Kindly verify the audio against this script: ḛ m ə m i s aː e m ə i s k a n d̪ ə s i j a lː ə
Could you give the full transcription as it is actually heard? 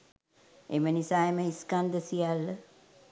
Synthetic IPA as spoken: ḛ m ə n i s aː e m ə i s k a n d̪ ə s i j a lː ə